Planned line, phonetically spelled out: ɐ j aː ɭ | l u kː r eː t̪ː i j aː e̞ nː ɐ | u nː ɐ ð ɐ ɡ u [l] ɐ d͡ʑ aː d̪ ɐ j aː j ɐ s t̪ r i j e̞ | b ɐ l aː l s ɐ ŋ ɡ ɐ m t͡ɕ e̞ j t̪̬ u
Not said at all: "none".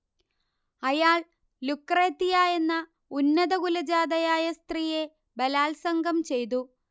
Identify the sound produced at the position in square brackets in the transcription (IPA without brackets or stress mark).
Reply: l